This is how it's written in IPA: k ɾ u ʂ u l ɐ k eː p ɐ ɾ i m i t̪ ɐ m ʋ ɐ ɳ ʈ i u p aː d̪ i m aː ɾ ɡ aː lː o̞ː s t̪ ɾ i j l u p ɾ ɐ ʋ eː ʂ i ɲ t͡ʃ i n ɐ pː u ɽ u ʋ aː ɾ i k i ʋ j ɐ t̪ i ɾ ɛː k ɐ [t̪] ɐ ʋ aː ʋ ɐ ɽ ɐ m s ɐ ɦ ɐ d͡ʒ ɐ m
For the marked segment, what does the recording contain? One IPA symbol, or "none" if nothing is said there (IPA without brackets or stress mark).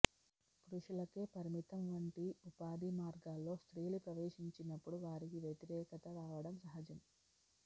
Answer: t̪